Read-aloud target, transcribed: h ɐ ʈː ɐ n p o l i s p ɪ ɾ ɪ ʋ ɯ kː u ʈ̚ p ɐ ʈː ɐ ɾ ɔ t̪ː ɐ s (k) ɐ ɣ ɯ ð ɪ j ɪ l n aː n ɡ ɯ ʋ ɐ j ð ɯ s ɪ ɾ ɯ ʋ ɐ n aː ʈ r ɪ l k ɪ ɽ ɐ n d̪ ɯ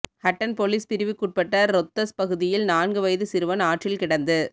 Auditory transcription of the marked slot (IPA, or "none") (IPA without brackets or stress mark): p